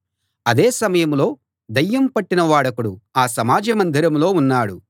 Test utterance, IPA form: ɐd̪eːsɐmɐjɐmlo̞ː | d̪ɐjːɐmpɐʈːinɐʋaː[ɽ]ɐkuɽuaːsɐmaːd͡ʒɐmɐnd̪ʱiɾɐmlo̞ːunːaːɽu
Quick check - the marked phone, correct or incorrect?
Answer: correct